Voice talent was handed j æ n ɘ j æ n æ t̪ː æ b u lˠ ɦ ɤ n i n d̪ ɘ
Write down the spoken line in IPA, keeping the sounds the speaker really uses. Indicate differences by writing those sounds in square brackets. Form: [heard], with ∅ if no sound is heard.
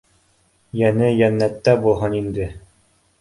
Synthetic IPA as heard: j æ n ɘ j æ [nː] æ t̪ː æ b u lˠ ɦ ɤ n i n d̪ ɘ